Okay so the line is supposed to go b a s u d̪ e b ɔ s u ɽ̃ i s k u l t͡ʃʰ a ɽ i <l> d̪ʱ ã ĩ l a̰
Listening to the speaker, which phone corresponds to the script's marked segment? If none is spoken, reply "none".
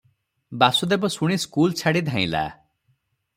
none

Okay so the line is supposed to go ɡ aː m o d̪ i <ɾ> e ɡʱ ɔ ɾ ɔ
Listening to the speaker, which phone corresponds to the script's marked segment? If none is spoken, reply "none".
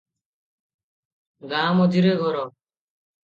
ɾ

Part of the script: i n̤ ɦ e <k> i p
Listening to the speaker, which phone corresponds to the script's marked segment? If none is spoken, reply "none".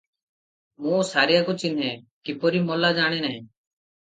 k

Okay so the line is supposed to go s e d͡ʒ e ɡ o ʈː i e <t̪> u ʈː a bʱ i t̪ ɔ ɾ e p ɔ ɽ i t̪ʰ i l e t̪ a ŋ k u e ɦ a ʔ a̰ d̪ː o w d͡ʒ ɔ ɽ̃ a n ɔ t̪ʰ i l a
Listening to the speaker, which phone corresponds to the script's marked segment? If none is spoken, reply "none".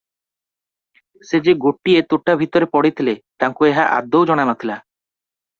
t̪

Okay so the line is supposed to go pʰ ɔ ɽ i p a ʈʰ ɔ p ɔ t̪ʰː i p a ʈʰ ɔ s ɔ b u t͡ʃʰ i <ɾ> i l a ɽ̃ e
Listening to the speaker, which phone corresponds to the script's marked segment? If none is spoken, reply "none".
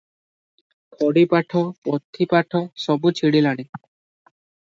ɽ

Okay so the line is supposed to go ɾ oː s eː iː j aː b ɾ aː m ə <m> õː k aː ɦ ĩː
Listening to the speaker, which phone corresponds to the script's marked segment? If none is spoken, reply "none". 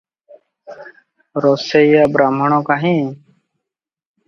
ɳ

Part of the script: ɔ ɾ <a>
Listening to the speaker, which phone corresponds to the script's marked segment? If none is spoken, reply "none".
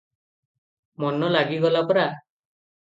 a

